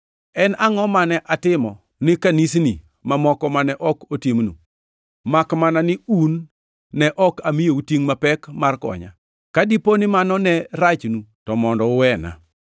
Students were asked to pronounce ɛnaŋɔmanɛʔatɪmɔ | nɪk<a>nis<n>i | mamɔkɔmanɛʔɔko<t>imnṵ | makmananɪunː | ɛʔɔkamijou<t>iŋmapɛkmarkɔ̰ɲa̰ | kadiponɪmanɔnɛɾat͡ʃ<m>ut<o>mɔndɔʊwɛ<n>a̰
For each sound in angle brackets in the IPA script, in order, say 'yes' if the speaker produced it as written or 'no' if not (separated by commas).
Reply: yes, yes, yes, yes, no, no, yes